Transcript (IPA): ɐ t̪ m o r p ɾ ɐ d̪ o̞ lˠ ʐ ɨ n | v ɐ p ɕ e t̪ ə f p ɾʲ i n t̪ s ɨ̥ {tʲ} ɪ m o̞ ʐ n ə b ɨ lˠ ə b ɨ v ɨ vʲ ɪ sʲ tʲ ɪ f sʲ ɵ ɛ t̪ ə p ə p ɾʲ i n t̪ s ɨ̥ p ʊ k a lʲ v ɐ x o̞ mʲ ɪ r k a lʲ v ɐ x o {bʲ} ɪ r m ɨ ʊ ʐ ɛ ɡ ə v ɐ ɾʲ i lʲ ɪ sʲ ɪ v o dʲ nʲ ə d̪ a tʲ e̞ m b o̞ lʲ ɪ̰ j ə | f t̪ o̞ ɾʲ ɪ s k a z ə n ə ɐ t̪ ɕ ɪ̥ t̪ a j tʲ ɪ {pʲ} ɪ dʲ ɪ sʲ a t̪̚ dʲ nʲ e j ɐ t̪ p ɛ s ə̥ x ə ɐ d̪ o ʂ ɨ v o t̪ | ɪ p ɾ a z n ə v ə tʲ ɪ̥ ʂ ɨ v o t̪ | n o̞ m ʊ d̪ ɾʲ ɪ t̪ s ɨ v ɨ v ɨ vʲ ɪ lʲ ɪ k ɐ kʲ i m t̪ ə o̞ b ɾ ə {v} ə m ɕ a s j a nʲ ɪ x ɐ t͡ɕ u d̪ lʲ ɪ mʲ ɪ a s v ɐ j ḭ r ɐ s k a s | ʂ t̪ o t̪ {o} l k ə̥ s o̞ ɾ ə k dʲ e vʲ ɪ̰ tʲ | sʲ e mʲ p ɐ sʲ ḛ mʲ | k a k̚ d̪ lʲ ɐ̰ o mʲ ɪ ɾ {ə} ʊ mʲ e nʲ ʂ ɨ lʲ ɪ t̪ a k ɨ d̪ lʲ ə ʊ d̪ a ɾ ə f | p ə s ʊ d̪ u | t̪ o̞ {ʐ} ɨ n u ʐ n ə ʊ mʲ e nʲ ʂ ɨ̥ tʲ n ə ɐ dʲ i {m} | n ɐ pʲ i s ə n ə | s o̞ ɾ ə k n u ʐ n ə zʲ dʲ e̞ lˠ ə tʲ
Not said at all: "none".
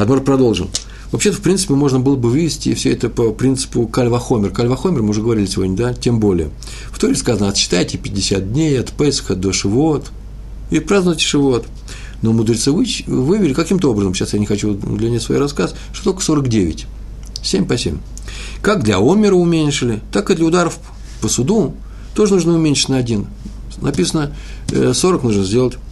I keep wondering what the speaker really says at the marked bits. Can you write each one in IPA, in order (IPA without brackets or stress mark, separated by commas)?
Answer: pʲ, mʲ, pʲ, z, o, ə, ʐ, n